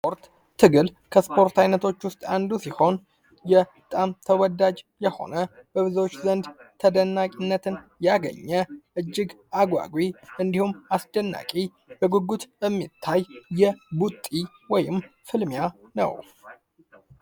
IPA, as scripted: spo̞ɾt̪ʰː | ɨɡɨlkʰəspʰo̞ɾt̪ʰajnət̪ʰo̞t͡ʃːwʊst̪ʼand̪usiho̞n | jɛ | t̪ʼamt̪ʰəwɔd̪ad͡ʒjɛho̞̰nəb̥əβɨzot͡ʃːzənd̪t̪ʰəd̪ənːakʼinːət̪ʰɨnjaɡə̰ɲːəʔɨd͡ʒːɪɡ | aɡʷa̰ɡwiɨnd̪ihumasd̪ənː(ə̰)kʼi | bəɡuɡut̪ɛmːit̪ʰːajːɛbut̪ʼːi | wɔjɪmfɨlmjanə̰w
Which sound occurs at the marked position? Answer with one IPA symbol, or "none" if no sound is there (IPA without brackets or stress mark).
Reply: a̰